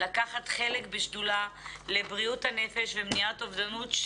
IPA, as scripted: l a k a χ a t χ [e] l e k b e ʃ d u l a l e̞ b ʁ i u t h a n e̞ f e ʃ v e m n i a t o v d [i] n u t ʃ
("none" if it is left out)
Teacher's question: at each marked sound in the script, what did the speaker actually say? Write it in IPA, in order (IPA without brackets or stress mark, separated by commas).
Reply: e, a